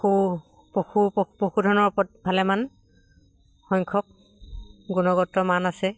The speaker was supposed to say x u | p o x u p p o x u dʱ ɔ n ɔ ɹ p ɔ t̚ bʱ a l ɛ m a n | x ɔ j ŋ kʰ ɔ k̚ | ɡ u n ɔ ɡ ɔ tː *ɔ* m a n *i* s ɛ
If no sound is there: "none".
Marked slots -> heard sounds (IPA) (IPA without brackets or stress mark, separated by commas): ɔ, a